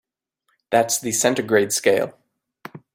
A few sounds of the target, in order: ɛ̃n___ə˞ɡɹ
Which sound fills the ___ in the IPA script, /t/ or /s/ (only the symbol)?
t